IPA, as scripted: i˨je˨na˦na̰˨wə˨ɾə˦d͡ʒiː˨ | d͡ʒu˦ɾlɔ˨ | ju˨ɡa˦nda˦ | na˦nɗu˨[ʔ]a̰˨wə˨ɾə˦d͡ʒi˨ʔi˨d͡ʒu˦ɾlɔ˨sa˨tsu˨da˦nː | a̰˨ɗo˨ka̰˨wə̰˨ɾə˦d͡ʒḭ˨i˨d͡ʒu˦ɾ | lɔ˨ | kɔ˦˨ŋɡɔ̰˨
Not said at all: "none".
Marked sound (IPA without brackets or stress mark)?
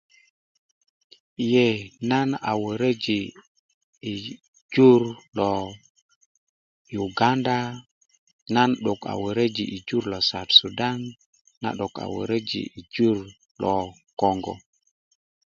k